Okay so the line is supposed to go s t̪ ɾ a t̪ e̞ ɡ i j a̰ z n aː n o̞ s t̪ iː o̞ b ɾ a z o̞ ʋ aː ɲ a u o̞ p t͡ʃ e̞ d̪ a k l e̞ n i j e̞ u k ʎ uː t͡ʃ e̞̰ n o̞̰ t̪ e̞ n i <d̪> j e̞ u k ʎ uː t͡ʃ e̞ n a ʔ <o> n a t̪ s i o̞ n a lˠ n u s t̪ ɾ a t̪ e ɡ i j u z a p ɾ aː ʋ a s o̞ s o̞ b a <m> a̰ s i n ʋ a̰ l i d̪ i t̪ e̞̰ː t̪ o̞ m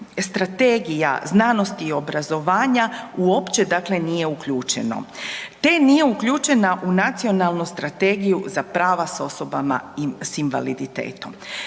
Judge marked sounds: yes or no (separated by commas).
no, no, yes